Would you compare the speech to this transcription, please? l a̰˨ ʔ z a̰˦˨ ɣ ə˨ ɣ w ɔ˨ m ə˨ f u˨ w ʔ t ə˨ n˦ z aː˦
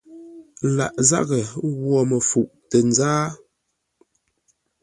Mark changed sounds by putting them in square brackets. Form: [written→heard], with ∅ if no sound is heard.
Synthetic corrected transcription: l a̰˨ ʔ z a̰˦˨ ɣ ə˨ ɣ w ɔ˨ m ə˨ f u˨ [w→∅] ʔ t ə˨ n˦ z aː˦